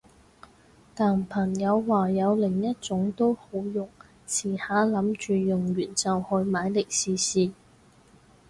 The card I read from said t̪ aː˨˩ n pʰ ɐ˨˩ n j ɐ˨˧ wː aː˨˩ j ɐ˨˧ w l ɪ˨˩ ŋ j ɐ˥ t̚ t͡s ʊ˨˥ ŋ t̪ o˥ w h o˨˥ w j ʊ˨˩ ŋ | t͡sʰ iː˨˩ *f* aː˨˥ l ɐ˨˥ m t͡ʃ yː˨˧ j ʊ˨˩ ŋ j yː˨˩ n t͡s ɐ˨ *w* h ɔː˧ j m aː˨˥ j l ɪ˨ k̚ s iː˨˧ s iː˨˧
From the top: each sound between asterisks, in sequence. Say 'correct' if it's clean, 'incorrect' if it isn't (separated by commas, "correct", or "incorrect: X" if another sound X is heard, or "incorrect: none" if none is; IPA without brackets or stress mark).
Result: incorrect: h, correct